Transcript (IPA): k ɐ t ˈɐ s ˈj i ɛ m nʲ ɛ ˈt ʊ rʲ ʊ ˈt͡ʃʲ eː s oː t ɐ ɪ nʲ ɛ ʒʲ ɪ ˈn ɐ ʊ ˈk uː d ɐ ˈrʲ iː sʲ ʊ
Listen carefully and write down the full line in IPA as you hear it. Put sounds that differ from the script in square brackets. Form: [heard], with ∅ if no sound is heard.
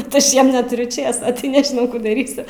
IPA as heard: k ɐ t ˈɐ [ʃ] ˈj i ɛ m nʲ ɛ ˈt ʊ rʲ ʊ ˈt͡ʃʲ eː s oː t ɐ ɪ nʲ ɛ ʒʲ ɪ ˈn ɐ ʊ ˈk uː d ɐ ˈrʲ iː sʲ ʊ